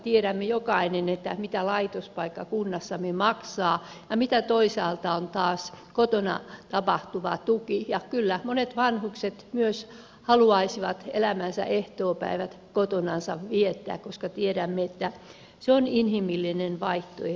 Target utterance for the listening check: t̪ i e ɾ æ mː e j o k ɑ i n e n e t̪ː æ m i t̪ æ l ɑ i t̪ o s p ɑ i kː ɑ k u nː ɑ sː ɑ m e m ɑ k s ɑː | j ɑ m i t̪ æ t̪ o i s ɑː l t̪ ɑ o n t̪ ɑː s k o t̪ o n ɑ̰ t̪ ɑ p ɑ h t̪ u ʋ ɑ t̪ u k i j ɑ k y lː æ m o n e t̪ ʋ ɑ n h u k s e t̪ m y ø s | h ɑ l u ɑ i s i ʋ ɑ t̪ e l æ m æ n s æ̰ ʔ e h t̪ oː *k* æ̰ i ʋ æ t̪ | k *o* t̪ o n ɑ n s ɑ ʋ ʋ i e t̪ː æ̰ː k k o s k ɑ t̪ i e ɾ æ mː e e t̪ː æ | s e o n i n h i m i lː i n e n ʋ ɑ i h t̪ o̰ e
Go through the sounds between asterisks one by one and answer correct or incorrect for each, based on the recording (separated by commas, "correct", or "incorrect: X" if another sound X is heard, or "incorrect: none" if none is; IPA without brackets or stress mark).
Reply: incorrect: p, correct